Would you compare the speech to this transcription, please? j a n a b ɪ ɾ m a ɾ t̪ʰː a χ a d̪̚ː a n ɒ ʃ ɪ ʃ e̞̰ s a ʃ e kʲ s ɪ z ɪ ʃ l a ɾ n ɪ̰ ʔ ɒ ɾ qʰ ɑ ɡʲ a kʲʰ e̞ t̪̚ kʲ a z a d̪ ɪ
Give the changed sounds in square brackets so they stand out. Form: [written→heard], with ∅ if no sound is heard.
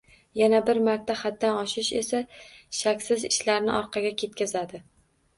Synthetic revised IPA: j a n a b ɪ ɾ m a ɾ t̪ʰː a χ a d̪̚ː a n ɒ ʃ ɪ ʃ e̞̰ s a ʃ [e→a] kʲ s ɪ z ɪ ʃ l a ɾ n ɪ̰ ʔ ɒ ɾ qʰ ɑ ɡʲ a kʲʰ e̞ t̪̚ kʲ a z a d̪ ɪ